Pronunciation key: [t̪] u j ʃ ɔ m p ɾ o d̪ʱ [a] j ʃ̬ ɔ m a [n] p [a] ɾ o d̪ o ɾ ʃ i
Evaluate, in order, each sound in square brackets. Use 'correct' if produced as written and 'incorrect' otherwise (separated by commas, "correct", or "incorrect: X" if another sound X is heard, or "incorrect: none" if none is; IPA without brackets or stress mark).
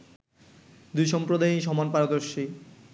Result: incorrect: d̪, correct, correct, correct